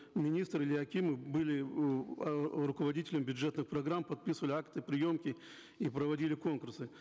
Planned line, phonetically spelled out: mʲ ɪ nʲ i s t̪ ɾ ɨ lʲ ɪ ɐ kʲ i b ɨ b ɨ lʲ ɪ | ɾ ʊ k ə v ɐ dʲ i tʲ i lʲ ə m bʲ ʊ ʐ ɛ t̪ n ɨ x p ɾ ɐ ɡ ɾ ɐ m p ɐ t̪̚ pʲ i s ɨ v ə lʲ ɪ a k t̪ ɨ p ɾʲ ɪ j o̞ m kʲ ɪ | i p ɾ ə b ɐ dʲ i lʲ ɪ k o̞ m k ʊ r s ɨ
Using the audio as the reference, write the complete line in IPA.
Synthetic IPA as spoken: mʲ ɪ nʲ i s t̪ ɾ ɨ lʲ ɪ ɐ kʲ i m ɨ b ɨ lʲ ɪ | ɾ ʊ k ə v ɐ dʲ i tʲ ɪ lʲ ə m bʲ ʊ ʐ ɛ t̪ n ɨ x p ɾ ɐ ɡ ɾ a m p ɐ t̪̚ pʲ i s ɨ v ə lʲ ɪ a k t̪ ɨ p ɾʲ ɪ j o̞ m kʲ ɪ | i p ɾ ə v ɐ dʲ i lʲ ɪ k o̞ n k ʊ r s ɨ